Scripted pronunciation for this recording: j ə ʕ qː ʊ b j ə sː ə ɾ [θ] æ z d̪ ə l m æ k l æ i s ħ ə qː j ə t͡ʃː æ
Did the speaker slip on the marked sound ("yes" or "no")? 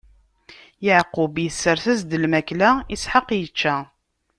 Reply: no